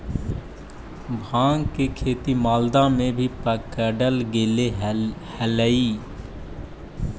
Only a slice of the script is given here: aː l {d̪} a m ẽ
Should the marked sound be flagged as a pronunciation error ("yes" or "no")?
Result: no